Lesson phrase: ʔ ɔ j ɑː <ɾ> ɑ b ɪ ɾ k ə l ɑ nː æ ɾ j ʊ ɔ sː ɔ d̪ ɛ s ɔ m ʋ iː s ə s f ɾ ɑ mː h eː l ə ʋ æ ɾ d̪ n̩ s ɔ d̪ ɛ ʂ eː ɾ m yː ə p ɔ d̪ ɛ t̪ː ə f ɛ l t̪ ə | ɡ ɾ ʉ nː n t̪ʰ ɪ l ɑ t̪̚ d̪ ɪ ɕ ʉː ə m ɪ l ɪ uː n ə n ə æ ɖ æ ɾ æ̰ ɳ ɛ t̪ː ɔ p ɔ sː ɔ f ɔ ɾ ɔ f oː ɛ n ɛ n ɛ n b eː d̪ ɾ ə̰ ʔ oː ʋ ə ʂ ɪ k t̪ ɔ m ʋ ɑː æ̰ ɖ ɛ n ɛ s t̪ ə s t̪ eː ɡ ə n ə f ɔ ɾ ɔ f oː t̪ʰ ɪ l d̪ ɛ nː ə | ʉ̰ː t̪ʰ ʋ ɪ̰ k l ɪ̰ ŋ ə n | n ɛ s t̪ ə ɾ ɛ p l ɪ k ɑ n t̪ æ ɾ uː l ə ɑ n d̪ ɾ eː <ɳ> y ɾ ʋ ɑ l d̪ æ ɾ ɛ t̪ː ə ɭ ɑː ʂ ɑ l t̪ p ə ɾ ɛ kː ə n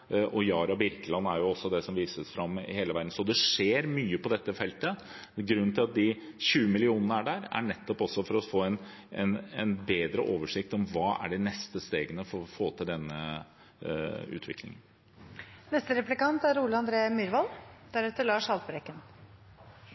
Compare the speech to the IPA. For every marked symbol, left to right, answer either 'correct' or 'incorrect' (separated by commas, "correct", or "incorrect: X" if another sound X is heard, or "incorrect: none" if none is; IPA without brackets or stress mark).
correct, incorrect: m